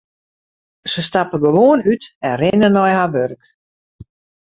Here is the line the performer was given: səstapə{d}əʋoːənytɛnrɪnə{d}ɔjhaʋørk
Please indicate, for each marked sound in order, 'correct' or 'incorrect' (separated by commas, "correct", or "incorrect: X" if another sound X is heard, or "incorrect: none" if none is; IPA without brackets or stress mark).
incorrect: ɡ, incorrect: n